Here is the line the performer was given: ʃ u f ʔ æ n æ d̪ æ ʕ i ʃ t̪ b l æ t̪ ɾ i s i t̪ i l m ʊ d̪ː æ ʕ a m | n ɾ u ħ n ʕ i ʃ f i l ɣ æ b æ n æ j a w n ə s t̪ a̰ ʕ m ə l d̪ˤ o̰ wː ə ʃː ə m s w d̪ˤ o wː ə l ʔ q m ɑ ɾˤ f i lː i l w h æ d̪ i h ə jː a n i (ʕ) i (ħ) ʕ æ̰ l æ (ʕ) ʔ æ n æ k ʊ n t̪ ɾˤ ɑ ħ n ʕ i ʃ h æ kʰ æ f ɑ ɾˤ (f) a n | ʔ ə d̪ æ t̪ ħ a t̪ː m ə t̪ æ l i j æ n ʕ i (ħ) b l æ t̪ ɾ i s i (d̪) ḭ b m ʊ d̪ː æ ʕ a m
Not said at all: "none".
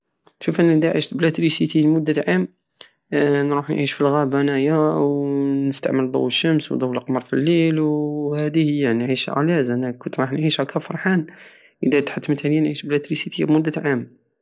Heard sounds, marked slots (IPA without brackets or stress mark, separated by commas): ʕ, ʃ, z, ħ, ʃ, t̪